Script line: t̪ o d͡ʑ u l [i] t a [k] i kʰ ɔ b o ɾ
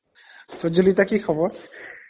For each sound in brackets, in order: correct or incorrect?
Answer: correct, correct

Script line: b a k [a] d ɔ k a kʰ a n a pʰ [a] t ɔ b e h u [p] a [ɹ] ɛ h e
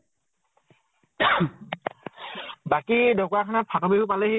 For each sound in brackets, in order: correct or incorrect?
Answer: incorrect, correct, correct, incorrect

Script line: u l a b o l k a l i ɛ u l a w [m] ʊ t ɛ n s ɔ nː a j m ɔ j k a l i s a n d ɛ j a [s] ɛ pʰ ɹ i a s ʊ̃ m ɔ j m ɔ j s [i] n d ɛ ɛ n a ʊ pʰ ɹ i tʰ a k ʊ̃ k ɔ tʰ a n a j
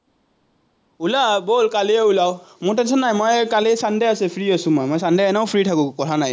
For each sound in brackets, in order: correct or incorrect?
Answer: correct, correct, incorrect

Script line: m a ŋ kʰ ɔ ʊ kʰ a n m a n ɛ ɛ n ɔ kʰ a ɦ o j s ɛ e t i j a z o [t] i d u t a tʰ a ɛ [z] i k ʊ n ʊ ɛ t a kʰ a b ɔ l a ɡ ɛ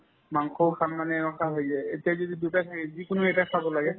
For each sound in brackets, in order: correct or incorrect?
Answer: incorrect, correct

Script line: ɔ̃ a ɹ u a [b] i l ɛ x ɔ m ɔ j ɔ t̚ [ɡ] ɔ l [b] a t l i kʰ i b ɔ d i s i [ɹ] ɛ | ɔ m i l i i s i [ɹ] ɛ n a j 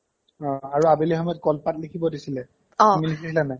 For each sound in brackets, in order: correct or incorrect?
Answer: correct, incorrect, incorrect, incorrect, incorrect

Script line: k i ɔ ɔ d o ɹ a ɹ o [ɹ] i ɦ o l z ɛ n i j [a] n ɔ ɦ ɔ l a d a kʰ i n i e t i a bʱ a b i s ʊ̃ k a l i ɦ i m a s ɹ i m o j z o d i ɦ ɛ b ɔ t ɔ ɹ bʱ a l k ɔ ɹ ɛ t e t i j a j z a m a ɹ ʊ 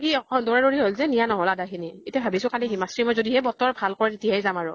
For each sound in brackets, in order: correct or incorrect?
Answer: correct, correct

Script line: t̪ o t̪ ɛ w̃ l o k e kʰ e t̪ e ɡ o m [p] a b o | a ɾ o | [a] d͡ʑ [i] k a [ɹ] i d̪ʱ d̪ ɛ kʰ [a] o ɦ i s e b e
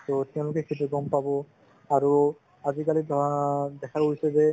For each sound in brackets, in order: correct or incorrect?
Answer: correct, correct, correct, incorrect, correct

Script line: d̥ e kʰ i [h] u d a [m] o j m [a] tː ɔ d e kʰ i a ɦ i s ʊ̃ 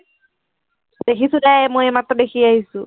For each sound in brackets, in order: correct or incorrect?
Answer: incorrect, correct, correct

